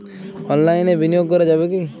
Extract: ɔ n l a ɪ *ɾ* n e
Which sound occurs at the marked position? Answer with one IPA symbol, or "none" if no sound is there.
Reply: none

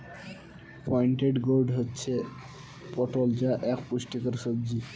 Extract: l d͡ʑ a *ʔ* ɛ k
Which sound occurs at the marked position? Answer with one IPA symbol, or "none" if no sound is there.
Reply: ʔ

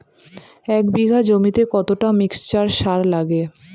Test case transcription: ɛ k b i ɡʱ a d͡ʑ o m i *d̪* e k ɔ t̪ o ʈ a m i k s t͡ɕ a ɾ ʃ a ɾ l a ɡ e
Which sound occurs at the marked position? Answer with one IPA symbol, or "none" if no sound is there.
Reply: t̪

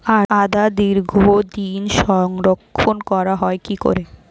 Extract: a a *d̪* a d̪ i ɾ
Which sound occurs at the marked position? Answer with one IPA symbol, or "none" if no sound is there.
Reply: d̪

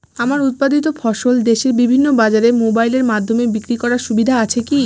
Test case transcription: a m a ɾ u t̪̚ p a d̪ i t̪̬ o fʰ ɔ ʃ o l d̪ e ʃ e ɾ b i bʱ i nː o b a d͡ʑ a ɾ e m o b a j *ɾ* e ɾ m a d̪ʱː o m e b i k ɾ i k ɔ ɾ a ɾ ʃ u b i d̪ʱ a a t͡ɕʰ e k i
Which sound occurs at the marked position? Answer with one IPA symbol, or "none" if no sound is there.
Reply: l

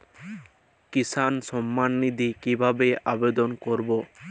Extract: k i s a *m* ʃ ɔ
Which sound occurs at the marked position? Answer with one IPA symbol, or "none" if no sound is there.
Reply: n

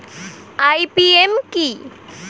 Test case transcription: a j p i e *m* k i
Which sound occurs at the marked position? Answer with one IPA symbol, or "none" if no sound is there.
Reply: m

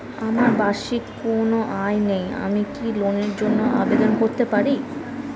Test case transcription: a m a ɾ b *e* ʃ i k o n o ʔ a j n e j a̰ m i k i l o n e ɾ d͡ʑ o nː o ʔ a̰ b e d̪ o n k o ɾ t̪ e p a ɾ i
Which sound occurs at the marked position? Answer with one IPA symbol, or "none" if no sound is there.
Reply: a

